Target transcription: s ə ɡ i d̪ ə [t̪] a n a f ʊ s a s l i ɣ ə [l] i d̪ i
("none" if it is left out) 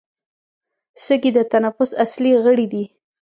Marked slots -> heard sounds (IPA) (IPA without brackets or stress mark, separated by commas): t̪, ɽ